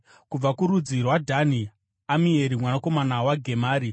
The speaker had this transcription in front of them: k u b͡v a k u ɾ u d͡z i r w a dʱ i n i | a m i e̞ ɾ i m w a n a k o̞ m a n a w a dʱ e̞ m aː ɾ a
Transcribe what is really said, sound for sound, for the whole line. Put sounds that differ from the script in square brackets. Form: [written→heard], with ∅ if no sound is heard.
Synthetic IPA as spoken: k u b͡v a k u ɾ u d͡z i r w a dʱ [i→a] n i | a m i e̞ ɾ i m w a n a k o̞ m a n a w a [dʱ→ɡʱ] e̞ m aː ɾ [a→i]